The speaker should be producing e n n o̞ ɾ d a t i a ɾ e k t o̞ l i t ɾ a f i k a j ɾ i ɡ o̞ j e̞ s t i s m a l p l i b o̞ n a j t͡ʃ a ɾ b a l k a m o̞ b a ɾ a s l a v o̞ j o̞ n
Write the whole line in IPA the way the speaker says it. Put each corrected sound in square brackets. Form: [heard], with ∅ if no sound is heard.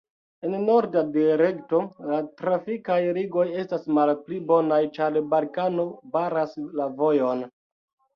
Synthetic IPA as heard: e n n o̞ ɾ d a [d] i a ɾ e k t o̞ l [a] t ɾ a f i k a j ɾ i ɡ o̞ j e̞ s t [a] s m a l p l i b o̞ n a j t͡ʃ a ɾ b a l k a [n] o̞ b a ɾ a s l a v o̞ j o̞ n